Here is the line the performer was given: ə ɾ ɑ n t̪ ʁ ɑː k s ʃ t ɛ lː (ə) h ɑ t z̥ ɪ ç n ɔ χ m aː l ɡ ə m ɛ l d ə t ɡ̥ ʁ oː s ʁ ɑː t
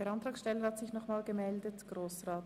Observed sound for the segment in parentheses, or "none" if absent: ə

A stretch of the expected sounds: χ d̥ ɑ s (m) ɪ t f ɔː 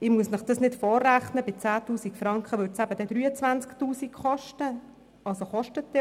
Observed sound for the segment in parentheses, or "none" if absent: n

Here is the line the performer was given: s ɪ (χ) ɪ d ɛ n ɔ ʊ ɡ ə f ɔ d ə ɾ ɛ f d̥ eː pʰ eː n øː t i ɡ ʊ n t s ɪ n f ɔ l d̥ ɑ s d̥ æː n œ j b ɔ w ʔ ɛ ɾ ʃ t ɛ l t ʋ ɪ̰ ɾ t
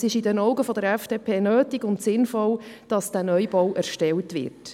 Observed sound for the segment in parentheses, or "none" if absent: ʃ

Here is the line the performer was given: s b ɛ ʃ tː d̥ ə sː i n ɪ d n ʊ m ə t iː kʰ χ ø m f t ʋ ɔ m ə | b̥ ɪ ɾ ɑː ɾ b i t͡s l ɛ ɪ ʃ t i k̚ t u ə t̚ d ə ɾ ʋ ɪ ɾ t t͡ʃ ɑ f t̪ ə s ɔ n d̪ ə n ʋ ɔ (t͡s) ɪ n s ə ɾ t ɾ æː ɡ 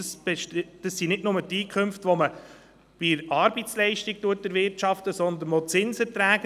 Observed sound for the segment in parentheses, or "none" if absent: t͡s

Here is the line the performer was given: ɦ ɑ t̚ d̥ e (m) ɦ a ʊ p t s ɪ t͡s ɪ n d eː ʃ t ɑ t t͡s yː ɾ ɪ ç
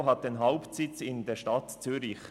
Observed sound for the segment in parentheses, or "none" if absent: n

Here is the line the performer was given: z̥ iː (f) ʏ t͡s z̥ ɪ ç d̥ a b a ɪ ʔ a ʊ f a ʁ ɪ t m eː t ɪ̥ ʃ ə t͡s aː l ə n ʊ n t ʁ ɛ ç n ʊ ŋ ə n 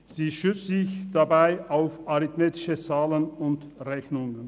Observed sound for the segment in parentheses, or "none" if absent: ʃ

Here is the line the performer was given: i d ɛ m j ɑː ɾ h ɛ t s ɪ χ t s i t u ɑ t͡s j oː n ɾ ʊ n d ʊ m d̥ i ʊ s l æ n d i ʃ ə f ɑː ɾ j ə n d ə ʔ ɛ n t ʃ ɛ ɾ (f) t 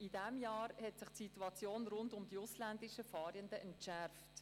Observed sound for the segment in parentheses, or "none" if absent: f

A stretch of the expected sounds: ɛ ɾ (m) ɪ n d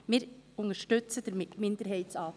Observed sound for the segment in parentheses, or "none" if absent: m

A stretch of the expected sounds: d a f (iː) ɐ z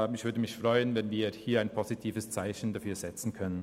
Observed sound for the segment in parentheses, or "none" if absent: yː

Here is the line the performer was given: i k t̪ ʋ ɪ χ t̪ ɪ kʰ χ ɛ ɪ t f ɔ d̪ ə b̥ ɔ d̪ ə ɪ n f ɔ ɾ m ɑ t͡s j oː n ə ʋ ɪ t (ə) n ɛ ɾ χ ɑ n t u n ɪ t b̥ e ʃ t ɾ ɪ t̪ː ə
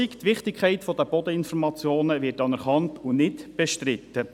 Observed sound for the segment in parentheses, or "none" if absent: ɑ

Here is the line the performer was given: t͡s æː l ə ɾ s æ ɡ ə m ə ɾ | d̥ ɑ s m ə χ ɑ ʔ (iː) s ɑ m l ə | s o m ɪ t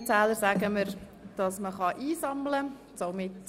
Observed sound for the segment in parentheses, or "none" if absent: iː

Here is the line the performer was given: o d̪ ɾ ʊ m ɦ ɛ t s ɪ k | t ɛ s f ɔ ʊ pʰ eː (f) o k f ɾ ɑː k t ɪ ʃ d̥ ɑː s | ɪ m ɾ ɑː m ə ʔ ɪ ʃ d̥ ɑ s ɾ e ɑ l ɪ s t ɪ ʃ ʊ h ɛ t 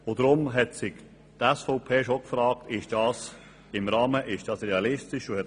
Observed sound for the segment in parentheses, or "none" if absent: ʃ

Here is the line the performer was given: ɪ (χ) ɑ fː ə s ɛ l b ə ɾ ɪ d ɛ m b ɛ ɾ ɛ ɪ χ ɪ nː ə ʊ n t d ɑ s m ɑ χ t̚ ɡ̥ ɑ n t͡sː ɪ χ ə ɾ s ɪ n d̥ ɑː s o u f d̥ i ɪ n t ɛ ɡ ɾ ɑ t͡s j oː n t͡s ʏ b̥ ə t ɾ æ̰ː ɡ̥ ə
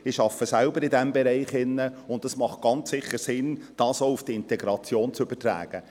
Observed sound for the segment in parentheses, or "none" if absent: ʃ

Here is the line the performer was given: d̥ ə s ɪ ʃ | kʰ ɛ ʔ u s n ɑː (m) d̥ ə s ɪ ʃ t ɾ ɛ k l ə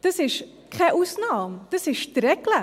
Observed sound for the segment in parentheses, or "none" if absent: m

